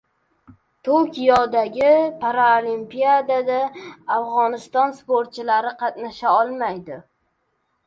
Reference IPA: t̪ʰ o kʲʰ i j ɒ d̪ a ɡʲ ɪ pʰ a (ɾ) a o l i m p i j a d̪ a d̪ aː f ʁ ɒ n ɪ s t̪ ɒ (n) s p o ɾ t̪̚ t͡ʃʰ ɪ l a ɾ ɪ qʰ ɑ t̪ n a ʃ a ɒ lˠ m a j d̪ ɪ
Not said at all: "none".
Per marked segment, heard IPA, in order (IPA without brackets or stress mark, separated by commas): ɾ, n